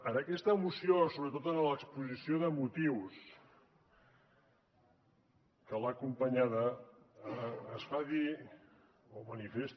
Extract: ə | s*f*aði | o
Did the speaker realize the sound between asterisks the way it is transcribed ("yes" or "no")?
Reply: yes